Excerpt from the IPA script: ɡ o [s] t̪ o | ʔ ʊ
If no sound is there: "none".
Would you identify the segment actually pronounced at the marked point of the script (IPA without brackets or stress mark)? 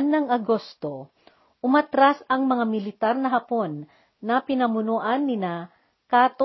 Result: s